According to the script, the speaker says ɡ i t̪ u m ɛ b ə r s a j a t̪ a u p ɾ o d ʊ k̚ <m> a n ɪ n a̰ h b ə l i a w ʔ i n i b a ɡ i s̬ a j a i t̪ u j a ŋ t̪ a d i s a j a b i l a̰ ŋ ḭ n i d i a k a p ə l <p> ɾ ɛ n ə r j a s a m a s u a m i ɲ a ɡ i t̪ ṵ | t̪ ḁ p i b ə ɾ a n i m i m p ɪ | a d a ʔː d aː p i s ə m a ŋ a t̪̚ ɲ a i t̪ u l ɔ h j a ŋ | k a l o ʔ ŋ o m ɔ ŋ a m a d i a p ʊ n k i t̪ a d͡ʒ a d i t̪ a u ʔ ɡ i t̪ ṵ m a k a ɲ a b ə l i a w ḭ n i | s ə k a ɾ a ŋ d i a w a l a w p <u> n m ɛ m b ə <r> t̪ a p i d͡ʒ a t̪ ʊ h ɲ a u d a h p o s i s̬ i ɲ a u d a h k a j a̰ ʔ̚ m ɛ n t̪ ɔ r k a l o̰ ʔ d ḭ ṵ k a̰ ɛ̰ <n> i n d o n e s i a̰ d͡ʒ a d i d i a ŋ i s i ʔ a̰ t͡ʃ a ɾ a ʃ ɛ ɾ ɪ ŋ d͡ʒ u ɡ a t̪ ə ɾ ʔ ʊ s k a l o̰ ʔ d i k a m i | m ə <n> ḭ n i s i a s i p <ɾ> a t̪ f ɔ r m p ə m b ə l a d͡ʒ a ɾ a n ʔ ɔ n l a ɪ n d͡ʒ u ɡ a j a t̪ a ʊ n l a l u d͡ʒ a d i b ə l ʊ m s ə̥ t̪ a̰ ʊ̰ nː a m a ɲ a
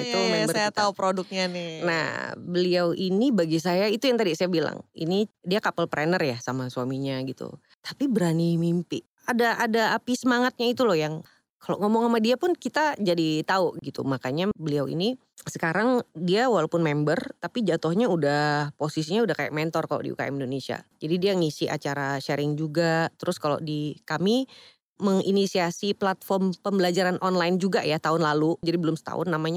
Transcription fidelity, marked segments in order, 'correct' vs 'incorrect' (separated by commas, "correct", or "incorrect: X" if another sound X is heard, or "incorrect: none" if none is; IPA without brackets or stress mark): incorrect: ɲ, correct, incorrect: ʊ, correct, incorrect: m, incorrect: ŋ, incorrect: l